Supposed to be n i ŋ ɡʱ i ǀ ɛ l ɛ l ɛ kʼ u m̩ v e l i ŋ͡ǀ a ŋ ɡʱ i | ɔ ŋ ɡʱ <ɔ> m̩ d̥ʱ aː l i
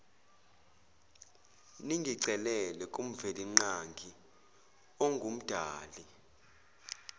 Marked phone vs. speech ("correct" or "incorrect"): incorrect